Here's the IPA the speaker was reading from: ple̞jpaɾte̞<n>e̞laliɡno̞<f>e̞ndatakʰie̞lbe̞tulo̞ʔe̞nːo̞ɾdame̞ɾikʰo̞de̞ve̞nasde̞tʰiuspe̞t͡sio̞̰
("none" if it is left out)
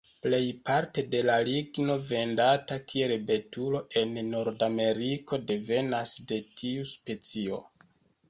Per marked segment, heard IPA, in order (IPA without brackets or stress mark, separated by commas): d, v